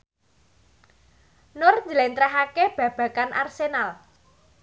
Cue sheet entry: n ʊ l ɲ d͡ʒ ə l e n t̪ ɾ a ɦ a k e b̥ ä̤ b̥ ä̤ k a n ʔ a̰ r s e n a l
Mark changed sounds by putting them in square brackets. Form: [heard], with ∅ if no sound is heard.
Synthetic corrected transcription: n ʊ [r] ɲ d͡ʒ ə l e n t̪ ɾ a ɦ a k e b̥ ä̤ b̥ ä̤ k a n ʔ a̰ r s e n a l